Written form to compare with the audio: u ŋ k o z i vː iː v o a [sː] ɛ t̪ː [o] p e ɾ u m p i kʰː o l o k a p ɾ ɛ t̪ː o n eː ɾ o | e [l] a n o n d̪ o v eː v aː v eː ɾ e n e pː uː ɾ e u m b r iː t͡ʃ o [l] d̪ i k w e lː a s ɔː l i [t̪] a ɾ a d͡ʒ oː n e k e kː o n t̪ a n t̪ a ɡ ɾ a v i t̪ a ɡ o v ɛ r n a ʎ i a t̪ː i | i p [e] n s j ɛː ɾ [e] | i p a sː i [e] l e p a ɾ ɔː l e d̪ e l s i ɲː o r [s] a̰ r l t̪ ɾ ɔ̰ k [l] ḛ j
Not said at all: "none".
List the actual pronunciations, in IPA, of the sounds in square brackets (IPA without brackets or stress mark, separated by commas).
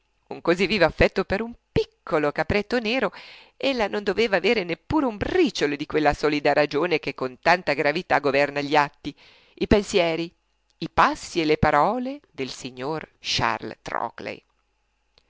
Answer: fː, o, lː, l, d̪, e, i, e, ʃ, l